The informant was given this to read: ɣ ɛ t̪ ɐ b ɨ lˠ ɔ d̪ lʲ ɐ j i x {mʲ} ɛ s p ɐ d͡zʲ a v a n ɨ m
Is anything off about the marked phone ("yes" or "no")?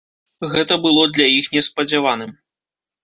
yes